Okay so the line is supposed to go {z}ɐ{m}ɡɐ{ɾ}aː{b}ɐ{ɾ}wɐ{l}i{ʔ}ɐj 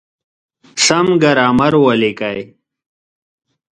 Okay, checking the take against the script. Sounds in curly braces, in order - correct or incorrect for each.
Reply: incorrect, correct, correct, incorrect, correct, correct, incorrect

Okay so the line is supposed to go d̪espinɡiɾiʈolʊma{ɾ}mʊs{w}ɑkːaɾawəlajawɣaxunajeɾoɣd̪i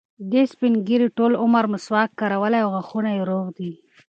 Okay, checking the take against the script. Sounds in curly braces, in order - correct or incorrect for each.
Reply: correct, correct

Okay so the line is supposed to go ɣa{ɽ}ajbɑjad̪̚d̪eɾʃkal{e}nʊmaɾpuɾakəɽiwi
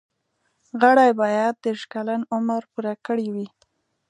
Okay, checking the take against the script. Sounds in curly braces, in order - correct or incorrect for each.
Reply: correct, incorrect

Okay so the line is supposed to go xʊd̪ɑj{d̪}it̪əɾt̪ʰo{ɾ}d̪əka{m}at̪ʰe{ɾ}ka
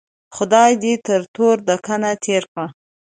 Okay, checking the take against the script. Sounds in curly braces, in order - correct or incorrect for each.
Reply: correct, correct, incorrect, correct

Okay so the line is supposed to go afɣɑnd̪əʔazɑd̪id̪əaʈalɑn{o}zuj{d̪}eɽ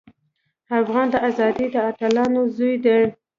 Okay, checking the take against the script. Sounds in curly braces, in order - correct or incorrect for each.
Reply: correct, correct

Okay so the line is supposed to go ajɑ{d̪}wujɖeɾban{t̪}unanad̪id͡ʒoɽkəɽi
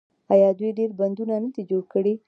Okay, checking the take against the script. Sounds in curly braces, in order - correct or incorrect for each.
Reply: correct, incorrect

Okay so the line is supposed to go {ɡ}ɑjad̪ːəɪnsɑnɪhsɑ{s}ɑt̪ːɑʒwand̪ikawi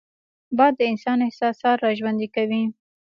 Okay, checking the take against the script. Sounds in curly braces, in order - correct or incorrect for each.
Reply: incorrect, correct

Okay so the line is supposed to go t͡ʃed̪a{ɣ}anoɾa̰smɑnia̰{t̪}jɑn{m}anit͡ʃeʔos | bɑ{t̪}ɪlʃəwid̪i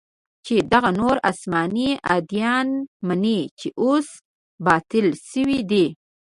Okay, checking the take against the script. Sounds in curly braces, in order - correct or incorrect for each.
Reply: correct, incorrect, correct, correct

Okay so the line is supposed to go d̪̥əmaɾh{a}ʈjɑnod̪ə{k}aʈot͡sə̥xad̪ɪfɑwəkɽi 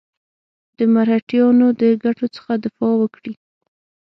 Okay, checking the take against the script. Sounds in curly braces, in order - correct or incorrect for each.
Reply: correct, incorrect

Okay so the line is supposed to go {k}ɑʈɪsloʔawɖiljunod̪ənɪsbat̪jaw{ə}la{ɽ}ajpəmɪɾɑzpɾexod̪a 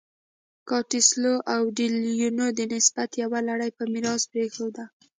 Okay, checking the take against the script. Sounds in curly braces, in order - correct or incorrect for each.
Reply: correct, incorrect, correct

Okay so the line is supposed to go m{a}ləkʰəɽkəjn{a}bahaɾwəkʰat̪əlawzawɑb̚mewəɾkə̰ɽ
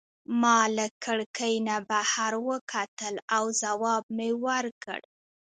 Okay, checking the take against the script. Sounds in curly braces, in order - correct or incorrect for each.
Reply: incorrect, correct

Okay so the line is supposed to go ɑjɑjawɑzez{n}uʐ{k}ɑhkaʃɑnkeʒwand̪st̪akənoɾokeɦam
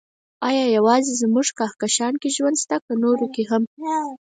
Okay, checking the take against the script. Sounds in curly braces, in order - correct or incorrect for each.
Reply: incorrect, correct

